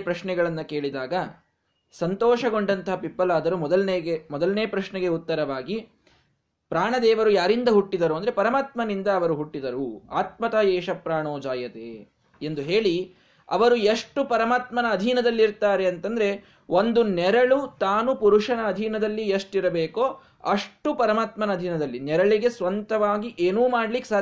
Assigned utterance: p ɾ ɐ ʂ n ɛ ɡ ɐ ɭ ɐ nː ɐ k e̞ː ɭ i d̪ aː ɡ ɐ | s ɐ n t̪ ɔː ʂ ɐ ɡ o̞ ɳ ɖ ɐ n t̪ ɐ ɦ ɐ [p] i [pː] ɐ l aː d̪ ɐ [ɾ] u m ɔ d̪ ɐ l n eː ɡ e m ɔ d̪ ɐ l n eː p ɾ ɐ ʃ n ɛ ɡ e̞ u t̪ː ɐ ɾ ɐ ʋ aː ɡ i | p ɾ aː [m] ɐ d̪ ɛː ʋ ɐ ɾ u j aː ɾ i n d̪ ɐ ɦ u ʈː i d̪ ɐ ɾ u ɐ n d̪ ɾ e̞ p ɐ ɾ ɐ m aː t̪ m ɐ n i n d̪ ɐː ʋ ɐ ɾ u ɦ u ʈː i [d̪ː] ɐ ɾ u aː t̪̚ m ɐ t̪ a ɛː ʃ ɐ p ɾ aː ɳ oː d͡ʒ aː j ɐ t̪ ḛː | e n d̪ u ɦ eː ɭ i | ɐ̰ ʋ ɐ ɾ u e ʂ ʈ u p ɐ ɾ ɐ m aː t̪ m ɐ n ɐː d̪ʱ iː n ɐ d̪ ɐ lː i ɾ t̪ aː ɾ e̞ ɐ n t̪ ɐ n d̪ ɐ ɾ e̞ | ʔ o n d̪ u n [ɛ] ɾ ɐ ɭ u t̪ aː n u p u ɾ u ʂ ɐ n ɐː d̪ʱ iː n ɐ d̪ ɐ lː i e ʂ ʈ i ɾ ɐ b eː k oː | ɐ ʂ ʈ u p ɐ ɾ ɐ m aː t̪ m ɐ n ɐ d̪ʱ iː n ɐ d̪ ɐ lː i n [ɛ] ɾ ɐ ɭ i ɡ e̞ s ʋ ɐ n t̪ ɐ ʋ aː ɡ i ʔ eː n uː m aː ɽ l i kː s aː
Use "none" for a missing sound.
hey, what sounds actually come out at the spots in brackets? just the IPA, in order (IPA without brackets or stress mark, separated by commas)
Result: p, pː, ɾ, ɳ, d̪, ɛ, ɛ